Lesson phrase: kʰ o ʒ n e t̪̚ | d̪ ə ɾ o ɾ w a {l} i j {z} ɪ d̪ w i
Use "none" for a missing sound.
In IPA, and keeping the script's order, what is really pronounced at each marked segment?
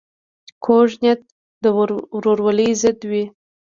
l, z

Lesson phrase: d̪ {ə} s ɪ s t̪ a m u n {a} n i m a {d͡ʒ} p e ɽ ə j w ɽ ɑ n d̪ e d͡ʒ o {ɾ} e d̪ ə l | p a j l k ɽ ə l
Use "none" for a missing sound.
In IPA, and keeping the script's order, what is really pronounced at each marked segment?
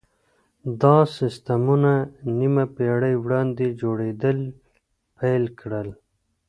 ɑ, a, none, ɽ

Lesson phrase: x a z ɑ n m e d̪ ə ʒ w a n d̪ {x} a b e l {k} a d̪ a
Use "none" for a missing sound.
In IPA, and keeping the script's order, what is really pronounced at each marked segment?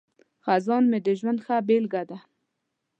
x, ɡ

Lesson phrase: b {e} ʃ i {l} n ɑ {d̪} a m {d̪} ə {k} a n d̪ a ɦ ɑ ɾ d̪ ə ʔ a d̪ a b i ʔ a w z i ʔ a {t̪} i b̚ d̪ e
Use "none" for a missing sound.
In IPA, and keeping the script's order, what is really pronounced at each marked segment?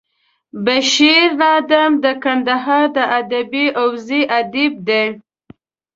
a, ɾ, d̪, d̪, k, d̪

